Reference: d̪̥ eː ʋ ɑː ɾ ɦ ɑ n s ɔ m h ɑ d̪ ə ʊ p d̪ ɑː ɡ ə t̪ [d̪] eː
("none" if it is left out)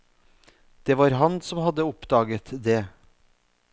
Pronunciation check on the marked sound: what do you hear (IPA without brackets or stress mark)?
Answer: d̪